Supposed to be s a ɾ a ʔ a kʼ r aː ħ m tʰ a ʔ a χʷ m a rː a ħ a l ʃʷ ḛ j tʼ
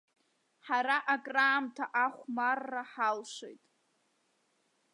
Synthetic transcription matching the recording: ħ a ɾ a ʔ a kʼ r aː m tʰ a ʔ a χʷ m a rː a ħ a l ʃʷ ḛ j tʼ